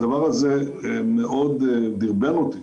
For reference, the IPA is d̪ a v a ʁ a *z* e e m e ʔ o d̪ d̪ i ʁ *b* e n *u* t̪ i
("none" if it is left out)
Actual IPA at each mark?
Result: z, b, o

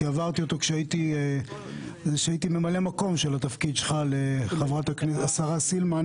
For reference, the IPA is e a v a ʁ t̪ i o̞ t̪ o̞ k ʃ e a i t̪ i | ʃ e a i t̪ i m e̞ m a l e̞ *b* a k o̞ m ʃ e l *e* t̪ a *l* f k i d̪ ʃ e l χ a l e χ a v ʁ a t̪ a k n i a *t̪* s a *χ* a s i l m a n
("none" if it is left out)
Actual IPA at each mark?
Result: m, a, none, none, ʁ

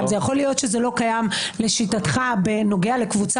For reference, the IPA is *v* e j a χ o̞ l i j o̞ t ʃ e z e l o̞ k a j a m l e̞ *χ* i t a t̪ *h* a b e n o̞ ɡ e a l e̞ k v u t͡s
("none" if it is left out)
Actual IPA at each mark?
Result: z, ʃ, χ

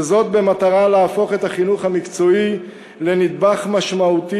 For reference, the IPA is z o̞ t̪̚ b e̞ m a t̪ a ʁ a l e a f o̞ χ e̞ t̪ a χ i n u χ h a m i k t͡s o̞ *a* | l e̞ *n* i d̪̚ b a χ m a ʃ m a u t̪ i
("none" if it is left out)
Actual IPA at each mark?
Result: i, n

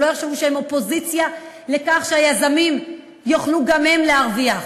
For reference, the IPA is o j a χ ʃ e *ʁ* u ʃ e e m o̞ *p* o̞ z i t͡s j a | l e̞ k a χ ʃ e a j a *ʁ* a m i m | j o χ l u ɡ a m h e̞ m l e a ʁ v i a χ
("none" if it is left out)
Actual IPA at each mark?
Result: v, p, z

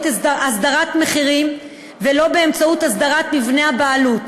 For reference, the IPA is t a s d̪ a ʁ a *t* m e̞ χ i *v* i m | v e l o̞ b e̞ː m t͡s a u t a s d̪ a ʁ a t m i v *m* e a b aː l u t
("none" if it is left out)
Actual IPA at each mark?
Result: t, ʁ, n

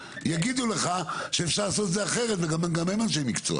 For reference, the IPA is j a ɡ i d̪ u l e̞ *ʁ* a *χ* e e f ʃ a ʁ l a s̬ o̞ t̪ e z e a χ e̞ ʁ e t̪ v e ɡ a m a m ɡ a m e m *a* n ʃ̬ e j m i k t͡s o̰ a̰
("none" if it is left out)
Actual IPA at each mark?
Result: χ, ʃ, a

